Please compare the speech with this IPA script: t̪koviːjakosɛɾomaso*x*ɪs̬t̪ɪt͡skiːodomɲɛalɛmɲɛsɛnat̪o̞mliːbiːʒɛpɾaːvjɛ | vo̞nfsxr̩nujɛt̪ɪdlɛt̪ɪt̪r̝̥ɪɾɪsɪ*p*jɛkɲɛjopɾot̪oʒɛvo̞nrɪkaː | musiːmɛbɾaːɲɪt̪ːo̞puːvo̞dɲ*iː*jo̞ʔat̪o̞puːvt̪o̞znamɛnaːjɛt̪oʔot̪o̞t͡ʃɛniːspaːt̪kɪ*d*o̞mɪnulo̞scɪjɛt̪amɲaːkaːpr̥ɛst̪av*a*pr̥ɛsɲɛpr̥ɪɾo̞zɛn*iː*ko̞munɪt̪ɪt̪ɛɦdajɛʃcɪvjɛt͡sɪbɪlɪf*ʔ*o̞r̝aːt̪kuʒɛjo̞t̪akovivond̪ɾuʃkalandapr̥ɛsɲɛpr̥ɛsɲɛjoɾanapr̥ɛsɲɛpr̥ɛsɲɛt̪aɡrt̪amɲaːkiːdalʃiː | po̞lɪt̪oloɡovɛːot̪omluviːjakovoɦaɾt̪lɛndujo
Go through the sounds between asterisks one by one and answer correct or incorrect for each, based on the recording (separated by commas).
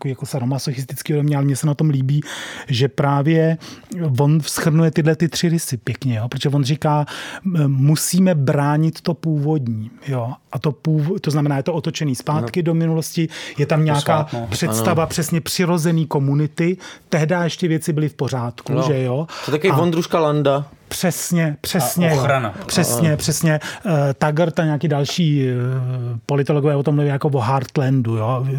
correct, correct, correct, correct, correct, correct, incorrect